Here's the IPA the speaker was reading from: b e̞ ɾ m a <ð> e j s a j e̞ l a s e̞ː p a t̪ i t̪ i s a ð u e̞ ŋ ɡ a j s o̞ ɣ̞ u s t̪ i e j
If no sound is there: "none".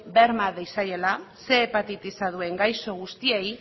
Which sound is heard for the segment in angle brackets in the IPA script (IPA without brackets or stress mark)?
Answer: ð